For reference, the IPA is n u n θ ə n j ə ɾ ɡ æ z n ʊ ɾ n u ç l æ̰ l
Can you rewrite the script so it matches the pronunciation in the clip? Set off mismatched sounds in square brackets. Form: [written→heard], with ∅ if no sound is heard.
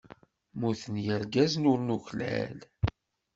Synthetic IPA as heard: [n→m] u [n→∅] θ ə n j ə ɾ ɡ æ z n ʊ ɾ n u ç l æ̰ l